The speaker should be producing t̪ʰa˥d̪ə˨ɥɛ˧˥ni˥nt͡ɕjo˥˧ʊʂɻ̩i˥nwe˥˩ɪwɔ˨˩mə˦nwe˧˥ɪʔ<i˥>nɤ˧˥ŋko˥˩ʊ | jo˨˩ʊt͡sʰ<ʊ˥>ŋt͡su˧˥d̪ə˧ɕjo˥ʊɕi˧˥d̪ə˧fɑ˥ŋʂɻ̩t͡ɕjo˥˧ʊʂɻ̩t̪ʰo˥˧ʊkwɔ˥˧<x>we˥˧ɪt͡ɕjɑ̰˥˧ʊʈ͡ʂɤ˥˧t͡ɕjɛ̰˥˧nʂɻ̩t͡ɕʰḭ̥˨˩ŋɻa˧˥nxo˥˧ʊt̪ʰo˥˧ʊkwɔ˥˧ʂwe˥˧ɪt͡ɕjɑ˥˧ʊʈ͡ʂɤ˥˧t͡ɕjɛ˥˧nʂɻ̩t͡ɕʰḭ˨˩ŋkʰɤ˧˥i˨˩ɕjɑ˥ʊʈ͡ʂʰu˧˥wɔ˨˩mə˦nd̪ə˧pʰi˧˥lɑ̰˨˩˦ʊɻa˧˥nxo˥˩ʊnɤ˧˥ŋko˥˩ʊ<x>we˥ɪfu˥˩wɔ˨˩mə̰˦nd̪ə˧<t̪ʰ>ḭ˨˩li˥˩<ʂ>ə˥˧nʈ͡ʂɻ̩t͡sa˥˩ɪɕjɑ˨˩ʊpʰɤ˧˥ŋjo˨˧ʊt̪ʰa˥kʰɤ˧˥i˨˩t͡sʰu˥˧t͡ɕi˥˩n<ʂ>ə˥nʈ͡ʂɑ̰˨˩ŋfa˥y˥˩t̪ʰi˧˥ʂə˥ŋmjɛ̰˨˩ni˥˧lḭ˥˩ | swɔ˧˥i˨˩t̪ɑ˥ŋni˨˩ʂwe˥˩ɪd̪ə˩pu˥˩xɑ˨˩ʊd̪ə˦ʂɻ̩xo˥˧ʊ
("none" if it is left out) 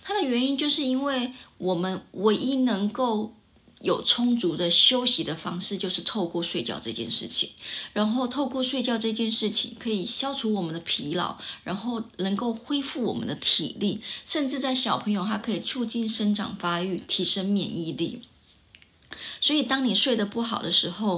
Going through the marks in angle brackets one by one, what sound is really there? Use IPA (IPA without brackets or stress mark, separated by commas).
i˥, ʊ˥, ʂ, x, t̪ʰ, ʂ, ʂ